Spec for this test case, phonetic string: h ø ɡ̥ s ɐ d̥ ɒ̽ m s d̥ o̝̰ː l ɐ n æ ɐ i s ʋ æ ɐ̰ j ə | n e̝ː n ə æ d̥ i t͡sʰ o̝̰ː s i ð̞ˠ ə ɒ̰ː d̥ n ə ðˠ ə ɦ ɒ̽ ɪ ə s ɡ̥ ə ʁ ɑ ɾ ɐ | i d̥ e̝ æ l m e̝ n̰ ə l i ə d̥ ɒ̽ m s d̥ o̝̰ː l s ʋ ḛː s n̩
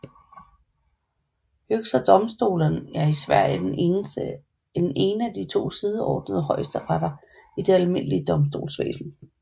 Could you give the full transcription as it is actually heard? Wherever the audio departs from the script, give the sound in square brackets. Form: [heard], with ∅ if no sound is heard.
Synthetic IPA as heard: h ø ɡ̥ s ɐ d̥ ɒ̽ m s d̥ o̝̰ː l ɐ n æ ɐ i s ʋ æ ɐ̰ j ə | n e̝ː n ə æ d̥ i t͡sʰ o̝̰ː s i ð̞ˠ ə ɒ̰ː d̥ n ə ðˠ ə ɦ ɒ̽ ɪ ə s [d̥] ə ʁ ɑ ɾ ɐ | i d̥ e̝ æ l m e̝ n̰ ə l i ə d̥ ɒ̽ m s d̥ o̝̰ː l s ʋ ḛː s n̩